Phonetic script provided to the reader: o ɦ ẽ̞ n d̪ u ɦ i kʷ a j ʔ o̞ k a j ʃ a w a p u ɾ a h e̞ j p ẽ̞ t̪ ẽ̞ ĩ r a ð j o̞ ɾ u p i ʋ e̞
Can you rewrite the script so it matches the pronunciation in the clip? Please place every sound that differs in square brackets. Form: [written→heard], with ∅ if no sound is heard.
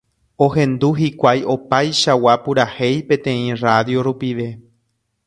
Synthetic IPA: o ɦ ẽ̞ n d̪ u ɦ i kʷ a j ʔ o̞ [k→p] a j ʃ a w a p u ɾ a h e̞ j p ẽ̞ t̪ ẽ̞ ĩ r a ð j o̞ ɾ u p i ʋ e̞